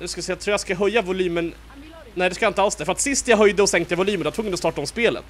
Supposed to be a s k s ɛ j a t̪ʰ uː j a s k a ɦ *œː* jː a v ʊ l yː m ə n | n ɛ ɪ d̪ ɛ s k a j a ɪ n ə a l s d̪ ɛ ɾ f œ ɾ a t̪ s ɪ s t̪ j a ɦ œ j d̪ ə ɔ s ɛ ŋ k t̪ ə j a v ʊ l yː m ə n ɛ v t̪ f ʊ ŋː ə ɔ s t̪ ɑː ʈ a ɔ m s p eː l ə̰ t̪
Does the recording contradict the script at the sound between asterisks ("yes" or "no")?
yes